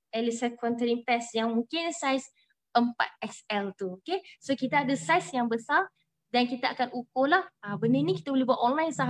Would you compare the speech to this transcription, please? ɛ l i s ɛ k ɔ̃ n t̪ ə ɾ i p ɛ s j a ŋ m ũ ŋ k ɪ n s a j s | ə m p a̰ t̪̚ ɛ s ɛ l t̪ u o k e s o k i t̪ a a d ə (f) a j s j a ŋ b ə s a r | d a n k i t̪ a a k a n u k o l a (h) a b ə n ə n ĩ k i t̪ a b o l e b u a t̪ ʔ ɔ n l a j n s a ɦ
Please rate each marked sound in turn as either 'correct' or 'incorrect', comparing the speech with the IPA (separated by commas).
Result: incorrect, correct